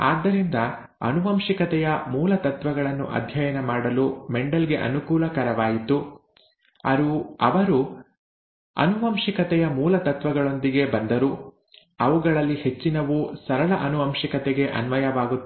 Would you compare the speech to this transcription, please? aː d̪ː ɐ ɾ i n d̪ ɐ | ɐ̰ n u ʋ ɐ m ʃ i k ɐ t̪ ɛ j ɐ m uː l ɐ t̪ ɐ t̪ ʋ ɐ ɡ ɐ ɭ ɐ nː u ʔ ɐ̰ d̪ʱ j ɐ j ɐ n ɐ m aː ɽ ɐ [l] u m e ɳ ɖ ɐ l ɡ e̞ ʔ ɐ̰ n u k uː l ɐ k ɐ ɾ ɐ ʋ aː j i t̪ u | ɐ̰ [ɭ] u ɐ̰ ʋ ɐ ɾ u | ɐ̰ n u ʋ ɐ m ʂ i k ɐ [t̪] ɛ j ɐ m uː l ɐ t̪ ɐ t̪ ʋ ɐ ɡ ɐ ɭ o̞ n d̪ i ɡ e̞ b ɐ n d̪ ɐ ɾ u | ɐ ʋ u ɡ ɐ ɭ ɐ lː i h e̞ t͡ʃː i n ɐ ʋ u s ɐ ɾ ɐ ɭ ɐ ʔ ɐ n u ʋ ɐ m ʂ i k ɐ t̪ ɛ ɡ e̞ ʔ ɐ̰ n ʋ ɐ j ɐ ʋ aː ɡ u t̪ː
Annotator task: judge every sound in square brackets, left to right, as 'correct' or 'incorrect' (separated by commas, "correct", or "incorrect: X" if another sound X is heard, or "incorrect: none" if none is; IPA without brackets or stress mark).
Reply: correct, incorrect: ɾ, correct